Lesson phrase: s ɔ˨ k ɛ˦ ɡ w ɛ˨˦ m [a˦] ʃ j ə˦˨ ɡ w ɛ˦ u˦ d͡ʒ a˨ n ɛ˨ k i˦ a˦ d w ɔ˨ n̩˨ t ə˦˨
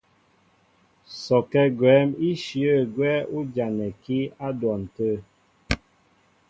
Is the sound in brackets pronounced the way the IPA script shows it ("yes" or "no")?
no